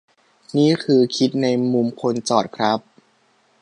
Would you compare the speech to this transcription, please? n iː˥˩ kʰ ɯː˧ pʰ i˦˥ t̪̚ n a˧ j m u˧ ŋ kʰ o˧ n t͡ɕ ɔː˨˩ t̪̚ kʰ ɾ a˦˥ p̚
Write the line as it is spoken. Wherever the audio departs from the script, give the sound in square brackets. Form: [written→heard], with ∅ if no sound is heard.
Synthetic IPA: n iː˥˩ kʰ ɯː˧ [pʰ→kʰ] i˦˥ t̪̚ n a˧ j m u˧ [ŋ→m] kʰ o˧ n t͡ɕ ɔː˨˩ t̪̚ kʰ ɾ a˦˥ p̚